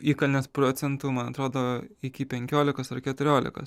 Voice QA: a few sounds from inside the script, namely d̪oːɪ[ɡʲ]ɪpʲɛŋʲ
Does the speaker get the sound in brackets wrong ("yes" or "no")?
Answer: yes